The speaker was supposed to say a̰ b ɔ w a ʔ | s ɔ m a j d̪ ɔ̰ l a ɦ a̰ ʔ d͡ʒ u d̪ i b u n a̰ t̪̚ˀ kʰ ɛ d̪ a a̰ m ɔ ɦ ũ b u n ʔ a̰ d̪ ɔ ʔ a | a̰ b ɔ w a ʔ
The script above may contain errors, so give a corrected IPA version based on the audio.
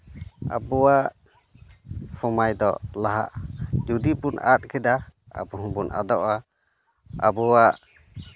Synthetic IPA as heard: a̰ b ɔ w a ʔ | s ɔ m a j d̪ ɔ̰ l a ɦ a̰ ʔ d͡ʒ u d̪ i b u n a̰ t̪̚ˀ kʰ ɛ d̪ a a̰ b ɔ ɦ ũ b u n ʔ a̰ d̪ ɔ ʔ a | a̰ b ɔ w a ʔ